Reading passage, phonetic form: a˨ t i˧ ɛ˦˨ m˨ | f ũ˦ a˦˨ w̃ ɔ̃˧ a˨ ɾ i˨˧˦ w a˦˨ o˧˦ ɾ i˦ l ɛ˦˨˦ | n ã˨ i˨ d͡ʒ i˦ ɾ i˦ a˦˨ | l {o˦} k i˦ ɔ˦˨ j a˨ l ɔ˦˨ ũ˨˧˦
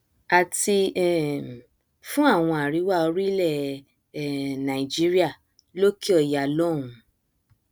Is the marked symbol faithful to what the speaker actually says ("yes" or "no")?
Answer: yes